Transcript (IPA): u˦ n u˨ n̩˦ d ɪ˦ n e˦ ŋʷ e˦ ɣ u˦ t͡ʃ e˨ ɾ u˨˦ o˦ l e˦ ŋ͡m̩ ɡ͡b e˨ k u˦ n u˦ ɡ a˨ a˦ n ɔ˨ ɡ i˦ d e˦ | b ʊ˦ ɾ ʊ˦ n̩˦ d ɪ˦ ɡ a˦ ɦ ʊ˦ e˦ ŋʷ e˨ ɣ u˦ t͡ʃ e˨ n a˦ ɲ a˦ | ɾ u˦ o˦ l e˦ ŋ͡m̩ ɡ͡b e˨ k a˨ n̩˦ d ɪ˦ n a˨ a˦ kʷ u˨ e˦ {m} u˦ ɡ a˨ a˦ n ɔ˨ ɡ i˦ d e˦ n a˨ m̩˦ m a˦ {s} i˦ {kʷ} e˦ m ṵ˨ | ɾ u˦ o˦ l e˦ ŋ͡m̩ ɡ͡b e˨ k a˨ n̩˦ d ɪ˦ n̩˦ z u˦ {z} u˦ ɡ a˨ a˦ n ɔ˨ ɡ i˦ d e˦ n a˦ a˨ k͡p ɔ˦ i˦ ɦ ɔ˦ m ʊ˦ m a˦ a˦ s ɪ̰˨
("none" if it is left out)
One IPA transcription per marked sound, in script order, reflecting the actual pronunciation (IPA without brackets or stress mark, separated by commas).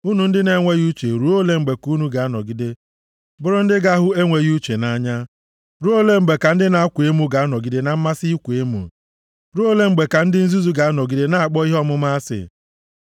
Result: m, s, kʷ, z